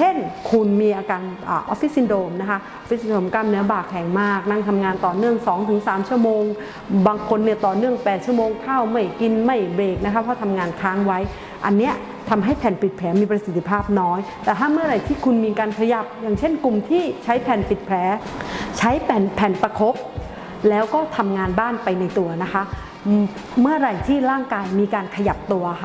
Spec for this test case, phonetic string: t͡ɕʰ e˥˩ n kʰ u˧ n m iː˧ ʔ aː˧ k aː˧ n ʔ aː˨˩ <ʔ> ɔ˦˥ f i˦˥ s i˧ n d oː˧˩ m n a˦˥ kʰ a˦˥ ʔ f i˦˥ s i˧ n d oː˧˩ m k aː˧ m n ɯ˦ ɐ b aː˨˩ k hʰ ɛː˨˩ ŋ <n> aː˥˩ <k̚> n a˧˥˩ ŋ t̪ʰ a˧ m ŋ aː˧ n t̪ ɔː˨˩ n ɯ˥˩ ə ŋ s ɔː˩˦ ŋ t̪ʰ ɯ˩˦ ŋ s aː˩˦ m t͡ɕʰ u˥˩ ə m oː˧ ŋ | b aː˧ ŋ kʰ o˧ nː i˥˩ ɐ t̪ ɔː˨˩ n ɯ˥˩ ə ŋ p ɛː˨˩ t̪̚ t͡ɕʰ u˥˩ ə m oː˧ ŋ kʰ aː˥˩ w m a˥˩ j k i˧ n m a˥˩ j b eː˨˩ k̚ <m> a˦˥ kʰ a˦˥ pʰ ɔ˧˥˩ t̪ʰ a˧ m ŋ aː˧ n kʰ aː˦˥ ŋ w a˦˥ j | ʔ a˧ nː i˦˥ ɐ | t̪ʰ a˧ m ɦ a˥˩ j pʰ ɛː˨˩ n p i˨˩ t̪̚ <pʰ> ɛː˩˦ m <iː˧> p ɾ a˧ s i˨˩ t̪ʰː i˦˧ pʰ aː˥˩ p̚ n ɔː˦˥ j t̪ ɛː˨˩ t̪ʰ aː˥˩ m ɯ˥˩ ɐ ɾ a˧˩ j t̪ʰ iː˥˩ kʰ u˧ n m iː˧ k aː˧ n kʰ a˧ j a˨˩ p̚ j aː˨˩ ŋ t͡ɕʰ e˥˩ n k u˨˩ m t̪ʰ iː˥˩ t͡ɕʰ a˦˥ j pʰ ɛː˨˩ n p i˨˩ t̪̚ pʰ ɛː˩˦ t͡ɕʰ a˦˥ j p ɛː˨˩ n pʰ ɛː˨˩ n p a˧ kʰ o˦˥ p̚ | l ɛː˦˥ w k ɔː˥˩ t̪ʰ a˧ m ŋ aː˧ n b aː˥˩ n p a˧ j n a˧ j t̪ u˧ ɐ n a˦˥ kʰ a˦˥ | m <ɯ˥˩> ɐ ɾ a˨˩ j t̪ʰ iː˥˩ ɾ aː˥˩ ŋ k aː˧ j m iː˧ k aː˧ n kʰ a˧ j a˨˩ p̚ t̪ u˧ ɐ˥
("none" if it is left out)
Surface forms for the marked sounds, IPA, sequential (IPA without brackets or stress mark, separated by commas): ʔ, m, k̚, n, pʰ, iː˧, ɯ˥˩